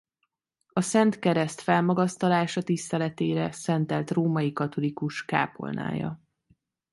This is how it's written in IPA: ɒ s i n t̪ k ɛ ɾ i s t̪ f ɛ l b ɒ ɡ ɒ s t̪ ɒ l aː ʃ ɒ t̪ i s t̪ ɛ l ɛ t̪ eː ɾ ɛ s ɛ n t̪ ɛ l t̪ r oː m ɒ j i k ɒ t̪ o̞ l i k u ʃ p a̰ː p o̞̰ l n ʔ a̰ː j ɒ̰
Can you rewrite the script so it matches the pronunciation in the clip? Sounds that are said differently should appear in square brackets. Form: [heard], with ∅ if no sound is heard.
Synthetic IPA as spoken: ɒ s [ɛ] n t̪ k ɛ ɾ [ɛ] s t̪ f ɛ l [m] ɒ ɡ ɒ s t̪ ɒ l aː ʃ ɒ t̪ i s t̪ ɛ l ɛ t̪ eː ɾ ɛ s ɛ n t̪ ɛ l t̪ r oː m ɒ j i k ɒ t̪ o̞ l i k u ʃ [k] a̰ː p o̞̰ l n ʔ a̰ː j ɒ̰